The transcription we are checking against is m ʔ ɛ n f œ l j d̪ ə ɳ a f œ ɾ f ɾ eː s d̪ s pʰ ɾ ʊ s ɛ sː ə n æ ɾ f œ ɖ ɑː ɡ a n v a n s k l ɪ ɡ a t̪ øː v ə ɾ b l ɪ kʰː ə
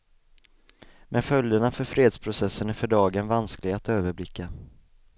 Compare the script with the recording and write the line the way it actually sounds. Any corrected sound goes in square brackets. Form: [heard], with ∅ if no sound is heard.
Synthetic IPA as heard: m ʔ ɛ n f œ l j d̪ ə ɳ a f œ ɾ f ɾ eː [∅] d̪ s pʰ ɾ ʊ s ɛ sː ə n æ ɾ f œ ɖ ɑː ɡ [ə] n v a n s k l ɪ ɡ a t̪ øː v ə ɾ b l ɪ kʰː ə